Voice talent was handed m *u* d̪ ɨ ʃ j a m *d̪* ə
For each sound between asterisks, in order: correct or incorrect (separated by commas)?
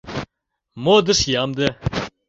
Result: incorrect, correct